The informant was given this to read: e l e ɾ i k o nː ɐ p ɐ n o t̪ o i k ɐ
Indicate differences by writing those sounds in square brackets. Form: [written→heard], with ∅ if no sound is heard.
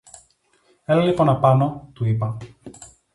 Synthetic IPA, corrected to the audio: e l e [ɾ→l] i [k→p] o [nː→n] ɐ p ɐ n o t̪ [o→u] i [k→p] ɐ